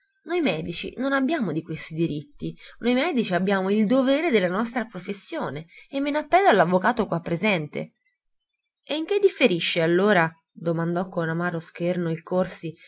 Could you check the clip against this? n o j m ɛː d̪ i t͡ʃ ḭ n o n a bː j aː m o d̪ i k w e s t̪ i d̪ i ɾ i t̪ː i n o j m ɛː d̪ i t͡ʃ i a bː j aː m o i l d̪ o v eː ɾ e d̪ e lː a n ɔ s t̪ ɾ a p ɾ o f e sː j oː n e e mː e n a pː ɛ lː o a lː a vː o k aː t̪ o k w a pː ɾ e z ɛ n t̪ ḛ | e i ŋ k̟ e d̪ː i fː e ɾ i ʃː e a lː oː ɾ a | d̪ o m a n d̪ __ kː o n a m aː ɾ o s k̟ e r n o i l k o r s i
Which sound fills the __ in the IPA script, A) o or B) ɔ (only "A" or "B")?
B